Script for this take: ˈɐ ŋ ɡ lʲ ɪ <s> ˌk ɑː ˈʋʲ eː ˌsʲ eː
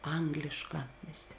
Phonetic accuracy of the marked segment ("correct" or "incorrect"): incorrect